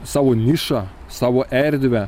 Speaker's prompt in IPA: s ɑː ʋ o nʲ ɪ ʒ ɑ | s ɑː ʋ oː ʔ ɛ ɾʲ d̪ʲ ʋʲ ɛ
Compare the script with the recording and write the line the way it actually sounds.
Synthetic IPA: s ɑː ʋ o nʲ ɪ ʃ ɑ | s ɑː ʋ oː ʔ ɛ ɾʲ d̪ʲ ʋʲ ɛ